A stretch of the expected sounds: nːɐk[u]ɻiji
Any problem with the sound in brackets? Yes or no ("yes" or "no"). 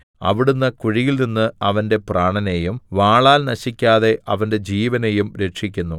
no